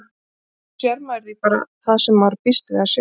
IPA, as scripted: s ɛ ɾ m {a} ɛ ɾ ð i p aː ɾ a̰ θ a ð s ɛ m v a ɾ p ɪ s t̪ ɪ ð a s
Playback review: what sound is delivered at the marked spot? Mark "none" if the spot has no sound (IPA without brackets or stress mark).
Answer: a